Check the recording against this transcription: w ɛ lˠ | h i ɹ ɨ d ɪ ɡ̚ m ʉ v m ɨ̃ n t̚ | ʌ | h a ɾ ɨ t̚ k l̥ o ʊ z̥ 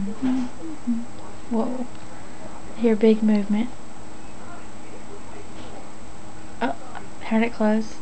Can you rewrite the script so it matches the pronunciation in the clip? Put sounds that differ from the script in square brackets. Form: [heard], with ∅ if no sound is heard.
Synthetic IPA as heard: w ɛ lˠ | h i ɹ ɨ [b] ɪ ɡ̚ m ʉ v m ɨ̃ n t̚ | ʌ | h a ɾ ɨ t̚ [kʰ] l̥ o ʊ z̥

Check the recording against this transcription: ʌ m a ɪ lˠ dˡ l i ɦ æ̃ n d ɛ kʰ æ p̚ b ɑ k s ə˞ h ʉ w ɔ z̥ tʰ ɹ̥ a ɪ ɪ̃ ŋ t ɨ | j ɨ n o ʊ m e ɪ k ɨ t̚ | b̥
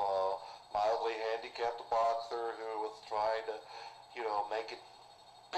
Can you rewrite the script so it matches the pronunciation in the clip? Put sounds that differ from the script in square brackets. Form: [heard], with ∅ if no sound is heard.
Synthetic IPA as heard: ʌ m a ɪ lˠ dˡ l i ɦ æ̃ n d [i] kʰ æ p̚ b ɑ k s ə˞ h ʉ w [ʌ] z̥ tʰ ɹ̥ a ɪ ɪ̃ ŋ t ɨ | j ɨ n o ʊ m e ɪ k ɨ t̚ | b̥

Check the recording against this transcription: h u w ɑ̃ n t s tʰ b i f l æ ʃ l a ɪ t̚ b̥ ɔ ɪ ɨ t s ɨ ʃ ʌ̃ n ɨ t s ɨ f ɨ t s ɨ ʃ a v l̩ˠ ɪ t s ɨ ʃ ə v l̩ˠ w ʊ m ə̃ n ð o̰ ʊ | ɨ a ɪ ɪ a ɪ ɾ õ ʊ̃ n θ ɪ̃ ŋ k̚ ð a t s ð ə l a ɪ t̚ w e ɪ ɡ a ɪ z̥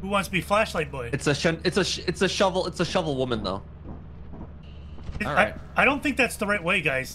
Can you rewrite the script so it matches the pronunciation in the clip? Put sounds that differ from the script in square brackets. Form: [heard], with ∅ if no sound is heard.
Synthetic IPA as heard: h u w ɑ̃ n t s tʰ b i f l æ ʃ l a ɪ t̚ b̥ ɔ ɪ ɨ t s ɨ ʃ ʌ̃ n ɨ t s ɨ [ʃ] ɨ t s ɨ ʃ [ʌ] v l̩ˠ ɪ t s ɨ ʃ [ʌ] v l̩ˠ w ʊ m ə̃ n ð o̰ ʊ | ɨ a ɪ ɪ a ɪ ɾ õ ʊ̃ n θ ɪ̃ ŋ k̚ ð [æ] t s ð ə [ɹ] a ɪ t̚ w e ɪ ɡ a ɪ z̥

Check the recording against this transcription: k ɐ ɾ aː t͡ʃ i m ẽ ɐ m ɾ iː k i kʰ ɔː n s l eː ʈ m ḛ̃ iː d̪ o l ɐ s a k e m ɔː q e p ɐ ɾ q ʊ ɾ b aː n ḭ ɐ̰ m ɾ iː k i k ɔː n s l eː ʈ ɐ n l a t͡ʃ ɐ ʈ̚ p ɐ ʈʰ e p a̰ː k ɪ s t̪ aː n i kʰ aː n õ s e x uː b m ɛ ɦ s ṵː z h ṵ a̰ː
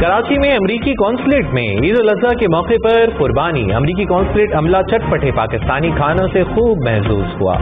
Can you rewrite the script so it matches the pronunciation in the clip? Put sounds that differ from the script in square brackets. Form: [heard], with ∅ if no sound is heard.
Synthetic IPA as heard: k ɐ ɾ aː t͡ʃ i m ẽ ɐ m ɾ iː k i [k] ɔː n s l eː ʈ m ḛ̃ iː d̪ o l ɐ [z] a k e m ɔː q e p ɐ ɾ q ʊ ɾ b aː n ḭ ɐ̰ m ɾ iː k i k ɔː n s l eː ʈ ɐ [m] l a t͡ʃ ɐ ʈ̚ p ɐ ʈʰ e p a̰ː k ɪ s t̪ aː n i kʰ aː n õ s e x uː b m ɛ ɦ s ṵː z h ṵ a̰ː

